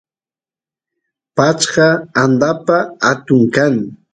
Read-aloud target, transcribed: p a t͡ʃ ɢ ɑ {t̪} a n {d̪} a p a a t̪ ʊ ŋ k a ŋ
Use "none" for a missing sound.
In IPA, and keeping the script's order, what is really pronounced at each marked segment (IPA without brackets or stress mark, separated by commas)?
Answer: none, d̪